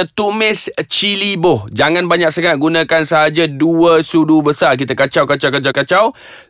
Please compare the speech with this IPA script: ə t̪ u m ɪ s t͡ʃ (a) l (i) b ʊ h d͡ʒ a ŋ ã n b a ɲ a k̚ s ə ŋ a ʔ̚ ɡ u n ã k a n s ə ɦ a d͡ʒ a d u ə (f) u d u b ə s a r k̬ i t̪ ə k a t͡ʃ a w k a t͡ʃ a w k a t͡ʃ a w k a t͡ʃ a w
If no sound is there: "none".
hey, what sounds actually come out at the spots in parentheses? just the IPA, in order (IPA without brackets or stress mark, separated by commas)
i, i, s